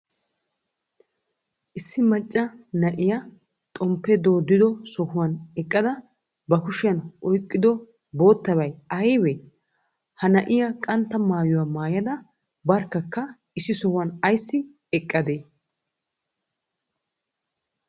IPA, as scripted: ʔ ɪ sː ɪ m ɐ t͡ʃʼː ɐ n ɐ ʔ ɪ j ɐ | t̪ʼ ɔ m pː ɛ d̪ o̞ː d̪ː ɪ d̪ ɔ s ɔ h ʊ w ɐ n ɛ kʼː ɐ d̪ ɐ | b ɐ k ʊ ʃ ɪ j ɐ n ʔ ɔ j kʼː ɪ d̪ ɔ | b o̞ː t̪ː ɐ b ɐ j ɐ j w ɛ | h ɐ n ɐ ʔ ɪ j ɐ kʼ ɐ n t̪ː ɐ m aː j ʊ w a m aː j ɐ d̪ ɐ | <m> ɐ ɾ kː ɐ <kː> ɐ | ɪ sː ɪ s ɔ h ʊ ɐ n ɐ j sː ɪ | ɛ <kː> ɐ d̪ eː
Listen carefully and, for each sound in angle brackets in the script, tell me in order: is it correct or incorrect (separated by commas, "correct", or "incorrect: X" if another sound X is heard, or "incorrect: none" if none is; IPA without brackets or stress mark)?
incorrect: b, correct, incorrect: kʼː